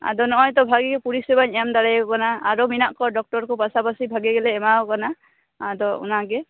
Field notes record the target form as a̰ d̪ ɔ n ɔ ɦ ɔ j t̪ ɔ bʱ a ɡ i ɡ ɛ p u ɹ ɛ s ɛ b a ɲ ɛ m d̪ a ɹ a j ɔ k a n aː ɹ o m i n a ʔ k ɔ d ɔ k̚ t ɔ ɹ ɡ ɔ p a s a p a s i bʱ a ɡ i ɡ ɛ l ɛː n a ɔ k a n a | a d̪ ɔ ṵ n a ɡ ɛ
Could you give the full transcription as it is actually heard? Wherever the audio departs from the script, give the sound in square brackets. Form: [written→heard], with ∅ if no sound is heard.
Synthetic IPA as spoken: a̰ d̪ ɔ n ɔ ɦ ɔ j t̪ ɔ bʱ a ɡ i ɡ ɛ p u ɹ [ɛ→i] s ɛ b a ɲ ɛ m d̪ a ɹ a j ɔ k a n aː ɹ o m i n a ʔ k ɔ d ɔ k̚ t ɔ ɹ [ɡ→k] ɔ p a s a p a s i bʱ a ɡ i ɡ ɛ l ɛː [n→m] a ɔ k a n a | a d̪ ɔ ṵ n a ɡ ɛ